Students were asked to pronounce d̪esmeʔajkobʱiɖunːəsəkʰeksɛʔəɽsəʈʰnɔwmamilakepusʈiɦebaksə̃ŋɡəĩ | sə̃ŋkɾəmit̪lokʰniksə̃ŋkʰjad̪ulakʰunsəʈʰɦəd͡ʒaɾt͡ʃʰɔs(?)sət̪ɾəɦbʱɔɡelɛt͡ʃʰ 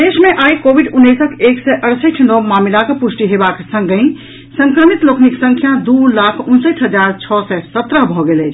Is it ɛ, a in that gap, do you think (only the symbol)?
ɛ